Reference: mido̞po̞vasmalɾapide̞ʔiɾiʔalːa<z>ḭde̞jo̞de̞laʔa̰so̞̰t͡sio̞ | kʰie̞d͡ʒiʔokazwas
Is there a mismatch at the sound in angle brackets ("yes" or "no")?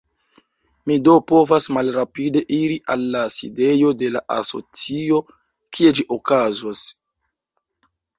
yes